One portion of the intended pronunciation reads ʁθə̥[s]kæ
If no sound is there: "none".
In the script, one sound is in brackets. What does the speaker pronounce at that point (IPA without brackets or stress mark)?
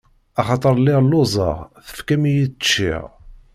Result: f